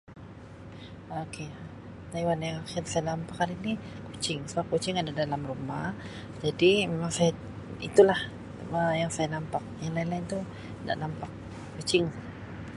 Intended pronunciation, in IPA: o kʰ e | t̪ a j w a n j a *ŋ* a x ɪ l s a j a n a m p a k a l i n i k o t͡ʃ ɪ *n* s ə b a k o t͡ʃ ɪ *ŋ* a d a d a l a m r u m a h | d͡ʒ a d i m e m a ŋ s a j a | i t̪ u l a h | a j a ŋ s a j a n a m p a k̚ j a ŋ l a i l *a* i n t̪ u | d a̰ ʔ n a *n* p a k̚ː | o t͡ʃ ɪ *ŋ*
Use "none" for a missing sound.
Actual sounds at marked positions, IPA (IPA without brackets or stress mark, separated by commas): ŋ, ŋ, ŋ, a, m, ŋ